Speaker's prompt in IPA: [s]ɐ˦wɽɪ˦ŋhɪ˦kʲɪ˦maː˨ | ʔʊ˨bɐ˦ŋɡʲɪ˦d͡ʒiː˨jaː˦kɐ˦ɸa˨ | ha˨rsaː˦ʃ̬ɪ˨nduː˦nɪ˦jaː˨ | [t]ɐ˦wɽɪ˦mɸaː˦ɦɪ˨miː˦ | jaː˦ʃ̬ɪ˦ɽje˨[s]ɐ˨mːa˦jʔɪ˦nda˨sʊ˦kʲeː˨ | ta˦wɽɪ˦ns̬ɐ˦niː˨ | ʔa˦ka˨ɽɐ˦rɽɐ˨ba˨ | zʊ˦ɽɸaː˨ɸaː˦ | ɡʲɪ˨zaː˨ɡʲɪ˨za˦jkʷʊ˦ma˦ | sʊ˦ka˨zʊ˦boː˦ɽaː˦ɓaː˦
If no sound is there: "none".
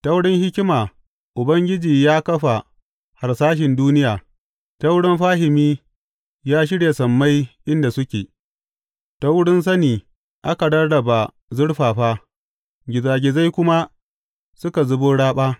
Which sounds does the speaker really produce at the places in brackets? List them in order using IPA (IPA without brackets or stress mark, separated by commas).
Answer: t, t, s